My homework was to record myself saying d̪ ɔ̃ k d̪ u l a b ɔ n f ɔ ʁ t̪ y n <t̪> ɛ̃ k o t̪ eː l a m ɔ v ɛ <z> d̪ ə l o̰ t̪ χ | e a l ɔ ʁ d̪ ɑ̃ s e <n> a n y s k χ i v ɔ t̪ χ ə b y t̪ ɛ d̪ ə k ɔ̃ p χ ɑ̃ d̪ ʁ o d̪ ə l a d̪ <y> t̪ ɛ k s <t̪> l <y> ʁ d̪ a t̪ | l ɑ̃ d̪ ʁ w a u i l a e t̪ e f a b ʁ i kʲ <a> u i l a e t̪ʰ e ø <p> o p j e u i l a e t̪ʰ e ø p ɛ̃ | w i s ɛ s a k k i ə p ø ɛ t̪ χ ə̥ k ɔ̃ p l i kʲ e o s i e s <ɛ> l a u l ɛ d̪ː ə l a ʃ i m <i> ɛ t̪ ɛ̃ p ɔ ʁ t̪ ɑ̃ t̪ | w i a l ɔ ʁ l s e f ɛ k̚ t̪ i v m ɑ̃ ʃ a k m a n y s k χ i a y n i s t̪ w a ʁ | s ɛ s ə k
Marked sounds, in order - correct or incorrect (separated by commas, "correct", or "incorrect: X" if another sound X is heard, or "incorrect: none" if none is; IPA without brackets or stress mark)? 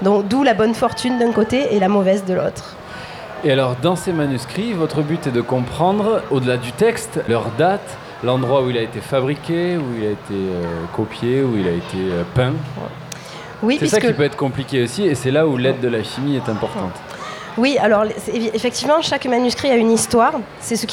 incorrect: d̪, correct, incorrect: m, correct, correct, incorrect: œ, incorrect: e, incorrect: k, correct, correct